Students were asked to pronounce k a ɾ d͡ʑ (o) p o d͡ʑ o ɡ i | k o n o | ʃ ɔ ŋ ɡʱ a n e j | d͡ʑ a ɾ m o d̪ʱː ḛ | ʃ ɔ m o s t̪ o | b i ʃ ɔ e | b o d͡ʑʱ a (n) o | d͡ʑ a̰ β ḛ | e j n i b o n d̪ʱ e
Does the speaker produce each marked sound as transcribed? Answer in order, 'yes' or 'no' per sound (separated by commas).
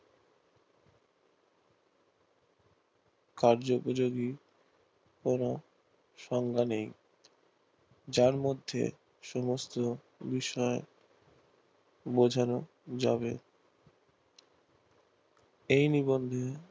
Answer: yes, yes